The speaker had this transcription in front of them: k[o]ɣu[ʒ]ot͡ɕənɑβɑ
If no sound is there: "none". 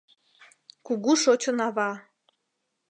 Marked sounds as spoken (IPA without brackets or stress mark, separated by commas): u, ʃ